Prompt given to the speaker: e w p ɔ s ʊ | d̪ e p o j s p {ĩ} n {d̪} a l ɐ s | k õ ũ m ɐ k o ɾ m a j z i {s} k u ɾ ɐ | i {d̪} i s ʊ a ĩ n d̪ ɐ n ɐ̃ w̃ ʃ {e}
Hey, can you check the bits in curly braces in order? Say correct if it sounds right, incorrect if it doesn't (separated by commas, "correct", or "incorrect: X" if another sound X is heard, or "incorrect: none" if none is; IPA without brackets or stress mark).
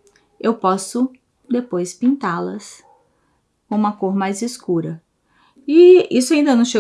correct, incorrect: t̪, correct, incorrect: none, correct